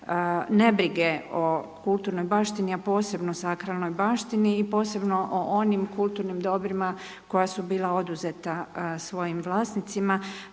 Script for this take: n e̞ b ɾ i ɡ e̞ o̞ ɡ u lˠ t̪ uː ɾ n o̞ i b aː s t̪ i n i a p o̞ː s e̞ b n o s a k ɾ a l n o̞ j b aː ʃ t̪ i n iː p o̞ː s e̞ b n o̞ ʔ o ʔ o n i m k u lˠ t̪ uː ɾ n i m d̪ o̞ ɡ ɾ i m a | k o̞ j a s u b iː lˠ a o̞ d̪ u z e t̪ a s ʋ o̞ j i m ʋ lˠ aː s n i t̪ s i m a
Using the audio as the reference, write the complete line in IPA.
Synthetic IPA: n e̞ b ɾ i ɡ e̞ o̞ k u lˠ t̪ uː ɾ n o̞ j b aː ʃ t̪ i n i a p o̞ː s e̞ b n o s a k ɾ a l n o̞ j b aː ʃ t̪ i n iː p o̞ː s e̞ b n o̞ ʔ o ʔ o n i m k u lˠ t̪ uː ɾ n i m d̪ o̞ b ɾ i m a | k o̞ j a s u b iː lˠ a o̞ d̪ u z e t̪ a s ʋ o̞ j i m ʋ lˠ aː s n i t̪ s i m a

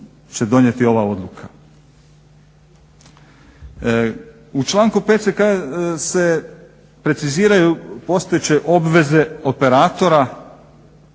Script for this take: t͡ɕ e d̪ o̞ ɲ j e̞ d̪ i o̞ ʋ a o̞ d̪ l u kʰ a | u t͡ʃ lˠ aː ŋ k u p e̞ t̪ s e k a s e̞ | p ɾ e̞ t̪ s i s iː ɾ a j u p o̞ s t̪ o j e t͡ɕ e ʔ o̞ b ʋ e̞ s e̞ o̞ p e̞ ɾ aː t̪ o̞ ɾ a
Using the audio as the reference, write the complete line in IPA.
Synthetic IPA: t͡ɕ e d̪ o̞ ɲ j e̞ t̪ i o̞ ʋ a o̞ d̪ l u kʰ a | u t͡ʃ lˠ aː ŋ k u p e̞ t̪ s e k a s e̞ | p ɾ e̞ t̪ s i z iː ɾ a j u p o̞ s t̪ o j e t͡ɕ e ʔ o̞ b ʋ e̞ z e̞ o̞ p e̞ ɾ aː t̪ o̞ ɾ a

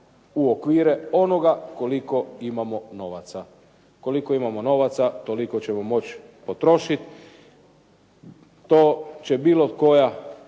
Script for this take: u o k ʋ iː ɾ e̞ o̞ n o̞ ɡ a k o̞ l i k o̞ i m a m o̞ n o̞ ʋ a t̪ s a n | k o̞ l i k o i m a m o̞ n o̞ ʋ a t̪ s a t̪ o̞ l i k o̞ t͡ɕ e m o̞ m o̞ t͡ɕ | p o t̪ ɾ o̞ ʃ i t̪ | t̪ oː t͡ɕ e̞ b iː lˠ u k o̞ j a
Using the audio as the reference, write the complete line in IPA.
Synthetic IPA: u o k ʋ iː ɾ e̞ o̞ n o̞ ɡ a k o̞ l i k o̞ i m a m o̞ n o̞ ʋ a t̪ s a | k o̞ l i k o i m a m o̞ n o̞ ʋ a t̪ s a t̪ o̞ l i k o̞ t͡ɕ e m o̞ m o̞ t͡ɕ | p o t̪ ɾ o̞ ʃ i t̪ | t̪ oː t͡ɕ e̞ b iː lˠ o k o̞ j a

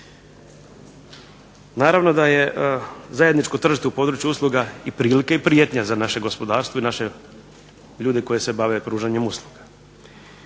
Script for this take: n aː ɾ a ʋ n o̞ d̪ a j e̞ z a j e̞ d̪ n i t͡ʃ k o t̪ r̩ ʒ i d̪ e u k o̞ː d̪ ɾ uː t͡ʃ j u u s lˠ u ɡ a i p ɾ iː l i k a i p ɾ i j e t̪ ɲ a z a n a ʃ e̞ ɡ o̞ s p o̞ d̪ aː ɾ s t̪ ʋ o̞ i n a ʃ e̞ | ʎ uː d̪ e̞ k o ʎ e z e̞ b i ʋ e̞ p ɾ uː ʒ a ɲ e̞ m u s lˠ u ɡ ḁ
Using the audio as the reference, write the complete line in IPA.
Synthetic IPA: n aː ɾ a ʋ n o̞ d̪ a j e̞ z a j e̞ d̪ n i t͡ʃ k o t̪ r̩ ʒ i t̪ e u p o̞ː d̪ ɾ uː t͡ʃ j u u s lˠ u ɡ a i p ɾ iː l i k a i p ɾ i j e t̪ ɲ a z a n a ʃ e̞ ɡ o̞ s p o̞ d̪ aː ɾ s t̪ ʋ o̞ i n a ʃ e̞ | ʎ uː d̪ e̞ k o j e s e̞ b a ʋ e̞ p ɾ uː ʒ a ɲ e̞ m u s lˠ u ɡ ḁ

